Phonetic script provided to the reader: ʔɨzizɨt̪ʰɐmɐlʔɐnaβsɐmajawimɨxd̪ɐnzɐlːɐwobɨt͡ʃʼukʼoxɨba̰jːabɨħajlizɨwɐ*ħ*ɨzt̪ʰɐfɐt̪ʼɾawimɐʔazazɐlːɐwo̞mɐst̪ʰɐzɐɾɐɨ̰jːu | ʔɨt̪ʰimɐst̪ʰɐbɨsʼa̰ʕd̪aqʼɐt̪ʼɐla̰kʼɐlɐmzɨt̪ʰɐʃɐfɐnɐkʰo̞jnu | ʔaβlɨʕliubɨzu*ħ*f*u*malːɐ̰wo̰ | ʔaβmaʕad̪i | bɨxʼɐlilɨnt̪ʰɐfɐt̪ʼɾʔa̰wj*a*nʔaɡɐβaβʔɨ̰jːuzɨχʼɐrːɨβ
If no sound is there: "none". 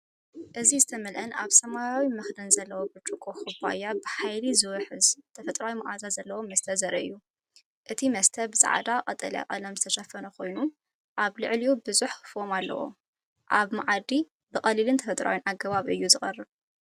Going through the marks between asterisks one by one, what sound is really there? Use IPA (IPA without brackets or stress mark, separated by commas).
ħ, ħ, o, i